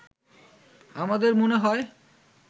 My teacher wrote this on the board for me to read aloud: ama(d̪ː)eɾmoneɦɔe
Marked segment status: incorrect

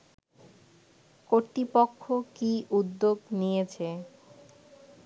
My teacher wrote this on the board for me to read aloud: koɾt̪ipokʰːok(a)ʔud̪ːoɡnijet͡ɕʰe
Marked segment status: incorrect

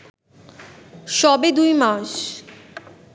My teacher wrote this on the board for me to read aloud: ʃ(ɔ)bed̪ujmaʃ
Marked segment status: correct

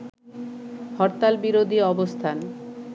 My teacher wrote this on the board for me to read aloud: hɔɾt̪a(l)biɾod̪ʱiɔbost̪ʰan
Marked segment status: correct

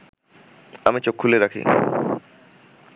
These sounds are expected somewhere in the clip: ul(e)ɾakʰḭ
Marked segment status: correct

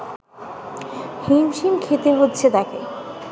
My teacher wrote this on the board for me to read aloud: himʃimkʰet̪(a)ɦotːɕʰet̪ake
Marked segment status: incorrect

